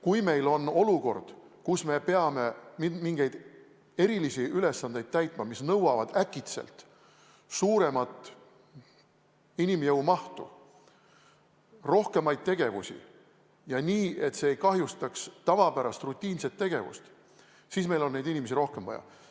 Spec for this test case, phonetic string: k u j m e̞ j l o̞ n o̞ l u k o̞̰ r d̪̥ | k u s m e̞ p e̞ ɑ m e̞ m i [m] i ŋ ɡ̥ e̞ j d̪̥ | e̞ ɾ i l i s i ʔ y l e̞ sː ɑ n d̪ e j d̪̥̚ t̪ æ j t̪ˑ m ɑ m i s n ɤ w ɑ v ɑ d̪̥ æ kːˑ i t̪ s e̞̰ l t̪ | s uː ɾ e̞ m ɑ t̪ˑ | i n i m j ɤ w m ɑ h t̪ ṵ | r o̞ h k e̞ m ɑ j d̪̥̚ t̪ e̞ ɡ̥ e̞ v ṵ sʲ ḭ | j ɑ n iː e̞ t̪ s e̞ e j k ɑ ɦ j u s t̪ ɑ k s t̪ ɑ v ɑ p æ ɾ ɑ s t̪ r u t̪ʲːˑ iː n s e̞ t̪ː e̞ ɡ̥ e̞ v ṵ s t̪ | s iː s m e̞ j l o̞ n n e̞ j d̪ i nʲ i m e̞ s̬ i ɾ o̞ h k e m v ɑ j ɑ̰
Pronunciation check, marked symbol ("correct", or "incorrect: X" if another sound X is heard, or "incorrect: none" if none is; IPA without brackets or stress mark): correct